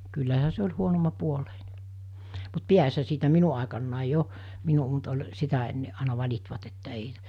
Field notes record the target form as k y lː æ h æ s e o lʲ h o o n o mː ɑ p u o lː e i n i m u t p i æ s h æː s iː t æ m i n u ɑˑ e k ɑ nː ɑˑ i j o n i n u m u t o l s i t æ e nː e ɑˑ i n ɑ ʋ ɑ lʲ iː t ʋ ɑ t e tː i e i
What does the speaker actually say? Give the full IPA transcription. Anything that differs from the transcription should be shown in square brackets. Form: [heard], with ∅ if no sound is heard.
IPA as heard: k y lː æ h æ s e o lʲ h [u] o n o mː ɑ p u o [l] e i n [e] m u t p i æ s h [æ] s iː t æ m i n u ɑˑ e k ɑ nː ɑˑ i j o [m] i n u m u t o l s i t æ e nː e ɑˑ i n ɑ ʋ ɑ lʲ [i] t ʋ ɑ t e tː [æ] e i